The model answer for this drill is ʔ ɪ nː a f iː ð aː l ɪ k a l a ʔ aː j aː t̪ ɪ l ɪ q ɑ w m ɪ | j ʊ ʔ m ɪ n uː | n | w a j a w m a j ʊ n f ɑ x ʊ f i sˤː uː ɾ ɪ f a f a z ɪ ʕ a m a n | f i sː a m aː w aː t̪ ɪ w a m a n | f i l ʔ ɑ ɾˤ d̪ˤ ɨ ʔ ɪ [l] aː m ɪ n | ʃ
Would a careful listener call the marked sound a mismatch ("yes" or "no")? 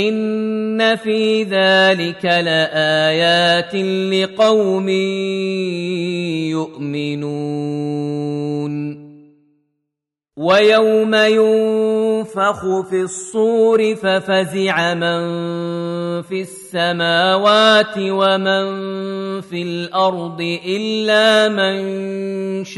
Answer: yes